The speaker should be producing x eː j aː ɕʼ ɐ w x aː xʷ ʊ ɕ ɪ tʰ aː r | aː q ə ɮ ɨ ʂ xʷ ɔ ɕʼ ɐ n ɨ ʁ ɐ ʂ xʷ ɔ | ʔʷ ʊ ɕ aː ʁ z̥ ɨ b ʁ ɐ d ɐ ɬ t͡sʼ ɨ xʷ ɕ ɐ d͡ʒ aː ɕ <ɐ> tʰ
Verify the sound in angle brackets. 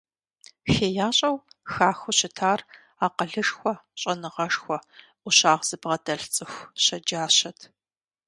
correct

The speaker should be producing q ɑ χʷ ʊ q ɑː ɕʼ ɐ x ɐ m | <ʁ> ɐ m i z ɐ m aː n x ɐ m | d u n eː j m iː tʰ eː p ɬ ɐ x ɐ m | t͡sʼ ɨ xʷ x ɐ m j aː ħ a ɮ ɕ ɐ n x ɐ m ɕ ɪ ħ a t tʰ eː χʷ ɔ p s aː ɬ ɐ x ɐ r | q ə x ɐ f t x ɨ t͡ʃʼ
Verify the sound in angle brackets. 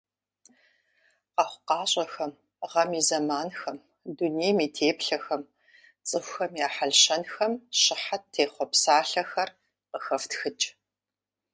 correct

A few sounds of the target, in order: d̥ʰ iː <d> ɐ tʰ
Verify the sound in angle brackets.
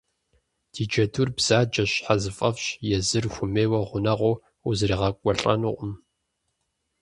incorrect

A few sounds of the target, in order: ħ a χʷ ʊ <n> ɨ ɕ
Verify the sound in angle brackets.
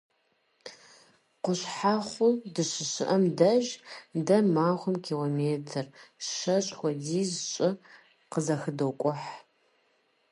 incorrect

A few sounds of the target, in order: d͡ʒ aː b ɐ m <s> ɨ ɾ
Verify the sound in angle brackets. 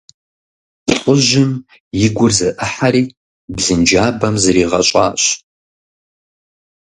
incorrect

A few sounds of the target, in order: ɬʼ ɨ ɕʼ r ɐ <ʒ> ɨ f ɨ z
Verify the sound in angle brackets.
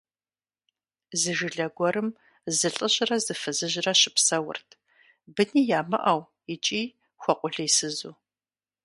incorrect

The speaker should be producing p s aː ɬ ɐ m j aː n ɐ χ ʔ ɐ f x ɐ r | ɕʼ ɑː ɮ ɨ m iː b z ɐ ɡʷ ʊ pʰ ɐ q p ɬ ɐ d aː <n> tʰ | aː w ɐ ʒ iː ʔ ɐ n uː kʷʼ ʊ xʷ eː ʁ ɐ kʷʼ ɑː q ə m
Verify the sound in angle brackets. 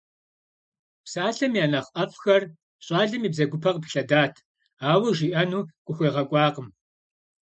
incorrect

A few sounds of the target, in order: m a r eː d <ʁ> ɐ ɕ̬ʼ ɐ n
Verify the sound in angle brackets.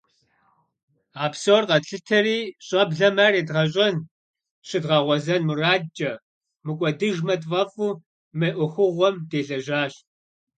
correct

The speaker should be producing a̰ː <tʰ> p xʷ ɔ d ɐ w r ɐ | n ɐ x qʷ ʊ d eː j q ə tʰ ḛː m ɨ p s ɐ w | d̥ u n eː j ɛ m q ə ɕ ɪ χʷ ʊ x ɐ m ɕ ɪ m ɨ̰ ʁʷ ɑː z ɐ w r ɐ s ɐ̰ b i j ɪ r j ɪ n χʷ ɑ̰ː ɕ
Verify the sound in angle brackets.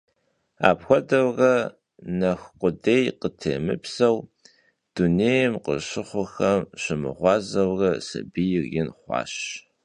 incorrect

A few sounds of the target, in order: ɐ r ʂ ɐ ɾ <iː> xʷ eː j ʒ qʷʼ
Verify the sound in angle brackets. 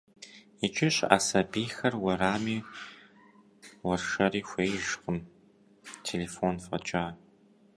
correct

